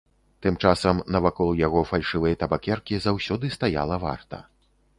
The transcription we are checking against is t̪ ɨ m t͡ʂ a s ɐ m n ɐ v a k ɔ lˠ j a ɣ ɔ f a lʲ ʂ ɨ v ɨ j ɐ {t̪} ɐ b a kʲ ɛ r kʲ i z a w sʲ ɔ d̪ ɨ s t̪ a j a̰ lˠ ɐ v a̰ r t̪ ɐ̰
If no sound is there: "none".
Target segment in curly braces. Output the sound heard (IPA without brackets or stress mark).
t̪